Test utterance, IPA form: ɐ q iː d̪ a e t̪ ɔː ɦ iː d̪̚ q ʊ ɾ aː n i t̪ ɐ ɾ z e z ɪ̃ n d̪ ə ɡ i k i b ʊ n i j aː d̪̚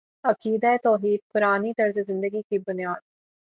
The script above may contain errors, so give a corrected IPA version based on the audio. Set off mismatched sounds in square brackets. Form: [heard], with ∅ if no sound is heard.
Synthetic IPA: ɐ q iː d̪ a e t̪ ɔː ɦ iː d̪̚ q ʊ ɾ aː n i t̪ ɐ ɾ z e z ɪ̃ n d̪ ə ɡ i k i b ʊ n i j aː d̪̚